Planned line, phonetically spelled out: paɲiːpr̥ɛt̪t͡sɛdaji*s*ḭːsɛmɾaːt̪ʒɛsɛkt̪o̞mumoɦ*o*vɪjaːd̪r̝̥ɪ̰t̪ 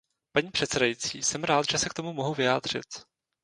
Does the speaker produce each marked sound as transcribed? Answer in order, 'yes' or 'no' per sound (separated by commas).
no, no